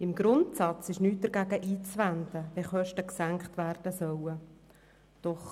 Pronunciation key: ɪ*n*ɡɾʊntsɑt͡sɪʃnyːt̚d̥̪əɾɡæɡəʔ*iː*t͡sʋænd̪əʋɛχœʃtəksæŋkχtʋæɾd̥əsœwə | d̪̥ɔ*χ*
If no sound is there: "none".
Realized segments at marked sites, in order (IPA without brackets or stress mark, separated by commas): m, iː, χ